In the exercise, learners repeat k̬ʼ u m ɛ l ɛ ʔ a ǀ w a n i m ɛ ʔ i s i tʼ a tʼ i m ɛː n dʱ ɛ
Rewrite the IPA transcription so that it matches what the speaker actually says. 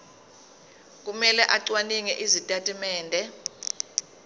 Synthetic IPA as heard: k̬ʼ u m ɛ l ɛ ʔ a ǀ w a n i ŋ ɛ ʔ i z i tʼ a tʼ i m ɛː n dʱ ɛ